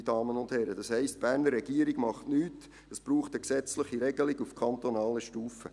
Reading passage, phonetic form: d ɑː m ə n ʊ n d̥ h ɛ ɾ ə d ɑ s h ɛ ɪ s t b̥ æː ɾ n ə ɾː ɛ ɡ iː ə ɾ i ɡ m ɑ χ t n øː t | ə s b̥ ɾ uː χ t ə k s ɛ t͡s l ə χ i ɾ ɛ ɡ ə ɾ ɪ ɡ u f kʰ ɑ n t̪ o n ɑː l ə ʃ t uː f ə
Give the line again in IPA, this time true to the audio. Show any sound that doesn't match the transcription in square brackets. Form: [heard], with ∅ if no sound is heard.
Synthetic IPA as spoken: d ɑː m ə n ʊ n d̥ h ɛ ɾ ə d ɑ s h ɛ ɪ s t b̥ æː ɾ n ə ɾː ɛ ɡ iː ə ɾ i ɡ m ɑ χ t n [yː] t | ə s b̥ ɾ uː χ t ə k s ɛ t͡s l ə χ i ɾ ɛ ɡ ə [l] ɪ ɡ u f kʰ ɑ n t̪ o n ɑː l ə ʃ t uː f ə